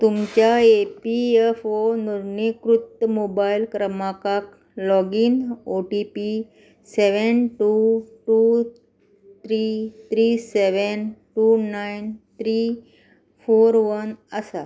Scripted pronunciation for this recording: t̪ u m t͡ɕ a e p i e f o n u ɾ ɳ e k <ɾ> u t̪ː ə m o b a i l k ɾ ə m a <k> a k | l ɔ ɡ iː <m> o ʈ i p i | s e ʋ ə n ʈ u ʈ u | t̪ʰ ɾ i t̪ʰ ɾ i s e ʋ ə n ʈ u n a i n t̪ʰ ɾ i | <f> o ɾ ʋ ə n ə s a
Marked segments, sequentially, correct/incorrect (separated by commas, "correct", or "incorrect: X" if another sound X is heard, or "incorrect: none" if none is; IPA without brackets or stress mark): correct, correct, incorrect: n, correct